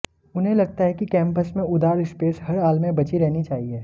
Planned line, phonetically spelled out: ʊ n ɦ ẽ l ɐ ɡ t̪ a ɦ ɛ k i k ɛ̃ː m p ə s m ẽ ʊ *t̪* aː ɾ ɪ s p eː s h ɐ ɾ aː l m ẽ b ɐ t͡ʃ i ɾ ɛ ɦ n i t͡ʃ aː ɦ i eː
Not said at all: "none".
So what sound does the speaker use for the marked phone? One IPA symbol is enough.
d̪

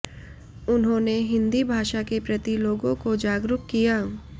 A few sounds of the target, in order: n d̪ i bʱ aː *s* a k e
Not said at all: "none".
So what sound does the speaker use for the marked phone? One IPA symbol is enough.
ʃ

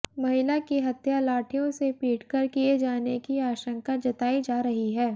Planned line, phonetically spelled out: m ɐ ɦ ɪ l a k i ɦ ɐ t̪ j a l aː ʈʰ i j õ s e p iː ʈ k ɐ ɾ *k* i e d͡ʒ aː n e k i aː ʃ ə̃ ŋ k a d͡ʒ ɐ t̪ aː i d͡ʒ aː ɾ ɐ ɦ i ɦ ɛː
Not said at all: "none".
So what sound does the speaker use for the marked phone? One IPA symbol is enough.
k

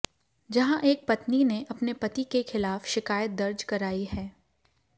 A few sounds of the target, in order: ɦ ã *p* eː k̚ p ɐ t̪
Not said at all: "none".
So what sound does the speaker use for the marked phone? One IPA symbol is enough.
ʔ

